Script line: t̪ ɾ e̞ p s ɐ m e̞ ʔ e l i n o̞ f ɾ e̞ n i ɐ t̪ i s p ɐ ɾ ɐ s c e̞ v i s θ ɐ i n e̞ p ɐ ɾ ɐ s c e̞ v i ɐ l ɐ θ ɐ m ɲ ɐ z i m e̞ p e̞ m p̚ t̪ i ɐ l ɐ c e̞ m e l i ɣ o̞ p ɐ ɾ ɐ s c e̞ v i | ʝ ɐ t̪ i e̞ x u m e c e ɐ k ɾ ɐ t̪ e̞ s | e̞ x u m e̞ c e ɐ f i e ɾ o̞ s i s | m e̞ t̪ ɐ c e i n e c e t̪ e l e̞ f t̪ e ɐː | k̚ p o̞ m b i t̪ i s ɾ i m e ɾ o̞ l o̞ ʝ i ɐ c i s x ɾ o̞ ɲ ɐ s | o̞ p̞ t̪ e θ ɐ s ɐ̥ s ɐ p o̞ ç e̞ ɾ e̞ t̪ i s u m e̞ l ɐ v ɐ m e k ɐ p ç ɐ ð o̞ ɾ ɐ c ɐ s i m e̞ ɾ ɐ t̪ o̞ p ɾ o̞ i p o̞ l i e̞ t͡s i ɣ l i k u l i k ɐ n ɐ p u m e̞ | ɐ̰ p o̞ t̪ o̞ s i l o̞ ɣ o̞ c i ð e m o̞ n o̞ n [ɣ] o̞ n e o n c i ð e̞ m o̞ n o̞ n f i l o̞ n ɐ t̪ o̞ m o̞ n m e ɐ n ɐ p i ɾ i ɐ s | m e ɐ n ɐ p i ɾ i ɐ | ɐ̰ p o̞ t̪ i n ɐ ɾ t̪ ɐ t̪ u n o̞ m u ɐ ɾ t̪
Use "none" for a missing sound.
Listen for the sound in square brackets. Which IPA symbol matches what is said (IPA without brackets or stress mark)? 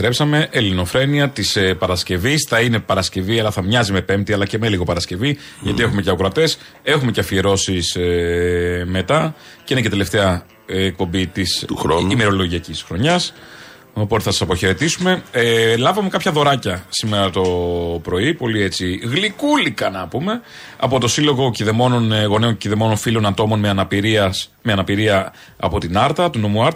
ɣ